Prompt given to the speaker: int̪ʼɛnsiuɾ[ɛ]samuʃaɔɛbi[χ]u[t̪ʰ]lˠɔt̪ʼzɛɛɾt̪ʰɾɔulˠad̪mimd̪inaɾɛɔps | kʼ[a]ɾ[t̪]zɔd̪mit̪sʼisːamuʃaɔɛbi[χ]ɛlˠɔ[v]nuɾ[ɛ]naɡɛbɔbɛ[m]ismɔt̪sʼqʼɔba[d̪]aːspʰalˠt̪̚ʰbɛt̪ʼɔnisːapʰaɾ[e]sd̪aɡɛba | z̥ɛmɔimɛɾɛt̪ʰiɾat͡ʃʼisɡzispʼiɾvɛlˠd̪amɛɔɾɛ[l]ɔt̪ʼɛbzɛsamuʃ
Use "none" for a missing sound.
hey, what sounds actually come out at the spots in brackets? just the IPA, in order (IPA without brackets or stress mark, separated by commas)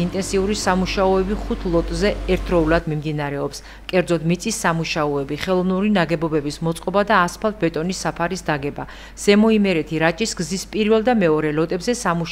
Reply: i, χ, t̪ʰ, ɛ, d̪, χ, v, i, b, d̪, i, l